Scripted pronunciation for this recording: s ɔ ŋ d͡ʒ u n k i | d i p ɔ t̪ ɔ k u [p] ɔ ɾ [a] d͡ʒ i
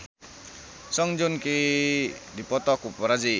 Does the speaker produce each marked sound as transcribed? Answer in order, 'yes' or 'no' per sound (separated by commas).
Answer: yes, yes